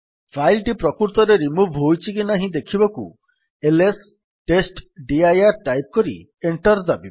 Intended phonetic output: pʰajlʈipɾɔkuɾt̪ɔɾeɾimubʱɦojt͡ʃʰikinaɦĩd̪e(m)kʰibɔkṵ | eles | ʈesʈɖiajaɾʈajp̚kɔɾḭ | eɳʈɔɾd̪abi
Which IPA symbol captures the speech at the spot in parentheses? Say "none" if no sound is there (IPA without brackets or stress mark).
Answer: none